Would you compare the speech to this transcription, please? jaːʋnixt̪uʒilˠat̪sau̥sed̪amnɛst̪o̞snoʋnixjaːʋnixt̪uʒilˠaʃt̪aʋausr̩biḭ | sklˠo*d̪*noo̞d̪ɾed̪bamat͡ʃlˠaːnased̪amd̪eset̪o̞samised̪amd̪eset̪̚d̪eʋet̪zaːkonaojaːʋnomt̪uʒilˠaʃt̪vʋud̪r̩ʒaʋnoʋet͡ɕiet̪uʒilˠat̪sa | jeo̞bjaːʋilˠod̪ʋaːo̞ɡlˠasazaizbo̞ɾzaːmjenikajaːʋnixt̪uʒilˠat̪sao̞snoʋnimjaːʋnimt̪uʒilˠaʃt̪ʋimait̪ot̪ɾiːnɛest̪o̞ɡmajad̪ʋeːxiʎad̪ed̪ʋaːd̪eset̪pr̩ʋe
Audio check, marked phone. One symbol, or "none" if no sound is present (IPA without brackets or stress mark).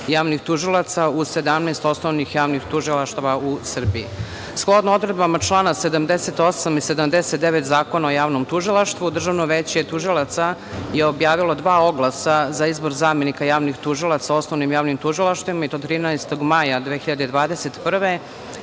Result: d̪